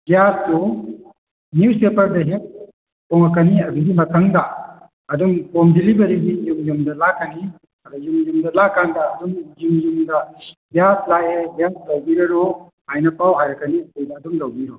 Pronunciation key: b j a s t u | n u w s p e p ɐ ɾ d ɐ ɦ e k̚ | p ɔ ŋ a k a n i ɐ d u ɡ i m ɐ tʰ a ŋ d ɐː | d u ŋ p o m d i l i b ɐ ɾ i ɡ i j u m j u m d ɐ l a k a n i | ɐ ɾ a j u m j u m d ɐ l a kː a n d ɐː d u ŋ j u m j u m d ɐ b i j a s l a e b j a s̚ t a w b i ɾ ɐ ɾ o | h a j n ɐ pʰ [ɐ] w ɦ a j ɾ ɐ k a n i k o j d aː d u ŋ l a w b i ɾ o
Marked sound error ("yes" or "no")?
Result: yes